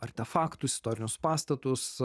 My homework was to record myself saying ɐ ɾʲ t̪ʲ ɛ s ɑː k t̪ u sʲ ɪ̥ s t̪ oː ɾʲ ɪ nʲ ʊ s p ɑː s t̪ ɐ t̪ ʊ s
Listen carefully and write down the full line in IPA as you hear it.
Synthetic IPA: ɐ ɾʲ t̪ʲ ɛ f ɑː k t̪ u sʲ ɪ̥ s t̪ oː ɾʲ ɪ nʲ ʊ s p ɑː s t̪ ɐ t̪ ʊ s